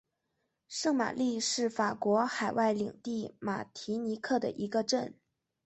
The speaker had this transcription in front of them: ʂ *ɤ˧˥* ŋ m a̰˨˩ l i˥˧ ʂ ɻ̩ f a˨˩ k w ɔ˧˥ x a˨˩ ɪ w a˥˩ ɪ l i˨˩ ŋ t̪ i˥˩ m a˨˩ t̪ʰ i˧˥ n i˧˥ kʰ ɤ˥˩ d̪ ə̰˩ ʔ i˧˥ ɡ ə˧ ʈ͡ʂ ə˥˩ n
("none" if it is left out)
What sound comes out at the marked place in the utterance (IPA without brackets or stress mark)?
ɤ˥˩